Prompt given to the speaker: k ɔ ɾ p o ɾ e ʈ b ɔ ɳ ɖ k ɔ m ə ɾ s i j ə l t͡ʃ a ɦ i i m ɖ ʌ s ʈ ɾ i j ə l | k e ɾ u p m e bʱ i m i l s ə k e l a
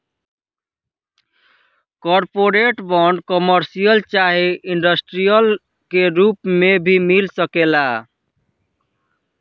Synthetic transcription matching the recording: k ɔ ɾ p o ɾ e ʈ b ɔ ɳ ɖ k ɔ m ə ɾ s i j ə l t͡ʃ a ɦ i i ɳ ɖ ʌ s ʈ ɾ i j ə l | k e ɾ u p m e bʱ i m i l s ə k e l a